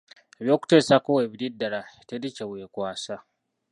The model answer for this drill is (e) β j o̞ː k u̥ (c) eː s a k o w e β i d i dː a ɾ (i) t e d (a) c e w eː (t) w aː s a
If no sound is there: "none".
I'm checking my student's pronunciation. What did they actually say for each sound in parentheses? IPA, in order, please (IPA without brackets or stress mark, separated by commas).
e, t, a, i, k